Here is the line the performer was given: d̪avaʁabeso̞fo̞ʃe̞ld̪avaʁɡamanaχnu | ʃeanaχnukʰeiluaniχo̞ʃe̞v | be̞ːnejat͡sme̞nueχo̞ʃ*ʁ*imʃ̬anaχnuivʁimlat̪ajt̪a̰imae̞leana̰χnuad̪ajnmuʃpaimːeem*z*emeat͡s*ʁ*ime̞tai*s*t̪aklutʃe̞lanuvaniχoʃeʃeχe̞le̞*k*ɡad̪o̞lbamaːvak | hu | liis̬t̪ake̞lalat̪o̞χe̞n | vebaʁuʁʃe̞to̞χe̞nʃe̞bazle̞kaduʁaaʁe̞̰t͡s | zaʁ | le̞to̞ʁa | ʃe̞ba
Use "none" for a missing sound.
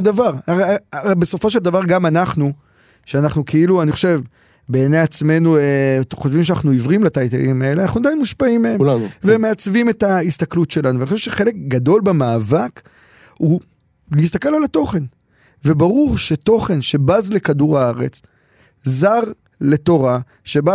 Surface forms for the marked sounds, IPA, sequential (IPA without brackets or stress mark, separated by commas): v, v, v, s, k